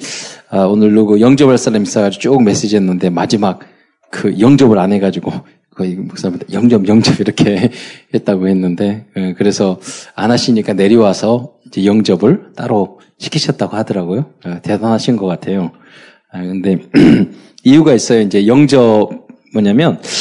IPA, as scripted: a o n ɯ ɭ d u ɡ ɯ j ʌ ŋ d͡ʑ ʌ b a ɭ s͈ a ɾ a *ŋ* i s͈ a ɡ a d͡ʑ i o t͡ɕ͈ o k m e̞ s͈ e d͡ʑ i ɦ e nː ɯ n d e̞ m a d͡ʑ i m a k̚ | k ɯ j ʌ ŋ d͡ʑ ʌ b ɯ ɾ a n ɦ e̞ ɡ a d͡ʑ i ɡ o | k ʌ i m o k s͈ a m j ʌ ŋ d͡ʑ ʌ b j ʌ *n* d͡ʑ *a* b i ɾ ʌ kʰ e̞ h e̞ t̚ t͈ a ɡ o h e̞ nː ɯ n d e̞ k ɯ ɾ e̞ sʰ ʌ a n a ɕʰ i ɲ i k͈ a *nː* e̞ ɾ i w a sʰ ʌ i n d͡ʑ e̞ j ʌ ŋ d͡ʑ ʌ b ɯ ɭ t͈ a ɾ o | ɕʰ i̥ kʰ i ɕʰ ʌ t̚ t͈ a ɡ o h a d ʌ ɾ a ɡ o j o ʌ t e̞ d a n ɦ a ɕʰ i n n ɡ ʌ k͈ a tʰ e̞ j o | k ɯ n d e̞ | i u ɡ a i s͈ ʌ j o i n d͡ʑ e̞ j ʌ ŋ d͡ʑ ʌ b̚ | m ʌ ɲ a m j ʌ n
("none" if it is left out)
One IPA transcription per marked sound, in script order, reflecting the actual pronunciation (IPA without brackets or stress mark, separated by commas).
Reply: m, ŋ, ʌ, n